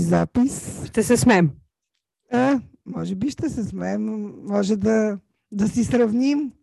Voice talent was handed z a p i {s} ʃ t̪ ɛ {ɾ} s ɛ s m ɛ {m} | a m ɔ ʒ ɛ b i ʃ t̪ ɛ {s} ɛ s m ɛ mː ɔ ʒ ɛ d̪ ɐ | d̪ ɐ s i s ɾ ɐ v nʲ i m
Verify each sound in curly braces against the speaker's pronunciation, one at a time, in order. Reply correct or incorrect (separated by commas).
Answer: correct, incorrect, correct, correct